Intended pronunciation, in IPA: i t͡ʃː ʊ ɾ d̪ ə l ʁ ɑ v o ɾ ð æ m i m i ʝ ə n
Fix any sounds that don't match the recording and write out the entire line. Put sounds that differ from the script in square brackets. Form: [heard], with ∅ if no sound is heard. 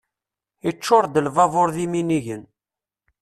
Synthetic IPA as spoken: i t͡ʃː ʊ ɾ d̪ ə l [v] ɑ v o ɾ ð [i] m i [n] i ʝ ə n